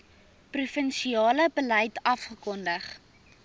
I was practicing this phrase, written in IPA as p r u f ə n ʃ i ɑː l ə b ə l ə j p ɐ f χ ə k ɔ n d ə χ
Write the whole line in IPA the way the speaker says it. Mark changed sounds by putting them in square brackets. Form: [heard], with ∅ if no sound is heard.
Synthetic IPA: p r u f ə n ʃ i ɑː l ə b ə l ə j [t] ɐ f χ ə k ɔ n d ə χ